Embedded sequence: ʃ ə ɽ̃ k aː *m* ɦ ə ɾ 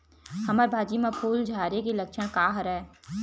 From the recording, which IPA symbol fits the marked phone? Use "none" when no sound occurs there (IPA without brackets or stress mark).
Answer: none